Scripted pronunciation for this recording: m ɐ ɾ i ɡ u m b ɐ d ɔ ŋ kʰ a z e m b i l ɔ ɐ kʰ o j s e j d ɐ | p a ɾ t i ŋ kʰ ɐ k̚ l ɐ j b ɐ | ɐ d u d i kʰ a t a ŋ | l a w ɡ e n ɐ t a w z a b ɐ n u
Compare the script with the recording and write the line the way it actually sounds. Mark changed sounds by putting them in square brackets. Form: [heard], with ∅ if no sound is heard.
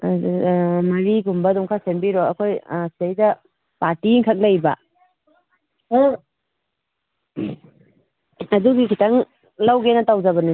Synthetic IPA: m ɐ ɾ i ɡ u m b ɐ d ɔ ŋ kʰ a [s] e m b i [ɾ] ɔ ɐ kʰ o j s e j d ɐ | p a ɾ t i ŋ kʰ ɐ k̚ l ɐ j b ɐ | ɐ d u [ɡ] i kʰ [i] t a ŋ | l a w ɡ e n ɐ t a w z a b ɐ n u

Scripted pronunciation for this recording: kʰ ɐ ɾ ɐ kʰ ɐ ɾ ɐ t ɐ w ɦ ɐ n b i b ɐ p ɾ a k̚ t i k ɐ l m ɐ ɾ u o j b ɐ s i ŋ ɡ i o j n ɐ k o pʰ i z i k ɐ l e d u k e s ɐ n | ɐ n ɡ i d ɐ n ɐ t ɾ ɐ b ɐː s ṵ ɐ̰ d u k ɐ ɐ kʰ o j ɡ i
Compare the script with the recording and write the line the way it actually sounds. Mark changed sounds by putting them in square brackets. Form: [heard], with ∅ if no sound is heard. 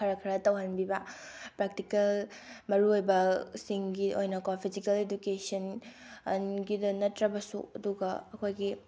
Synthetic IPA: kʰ ɐ ɾ ɐ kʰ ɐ ɾ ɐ t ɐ w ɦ ɐ n b i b ɐ p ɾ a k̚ t i k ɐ l m ɐ ɾ u o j b ɐ s i ŋ ɡ i o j n ɐ k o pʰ i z i k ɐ l e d u k e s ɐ n | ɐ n ɡ i d ɐ n ɐ t ɾ ɐ b [ɐ] s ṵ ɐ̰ d u [ɡ] ɐ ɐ kʰ o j ɡ i

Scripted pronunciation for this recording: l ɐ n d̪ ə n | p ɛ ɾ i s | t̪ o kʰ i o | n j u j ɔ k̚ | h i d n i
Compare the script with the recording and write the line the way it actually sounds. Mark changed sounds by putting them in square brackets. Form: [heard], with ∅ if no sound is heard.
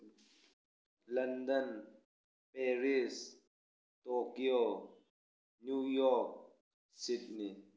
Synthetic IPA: l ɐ n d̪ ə n | p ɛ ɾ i s | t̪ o [k] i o | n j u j ɔ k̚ | [s] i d n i

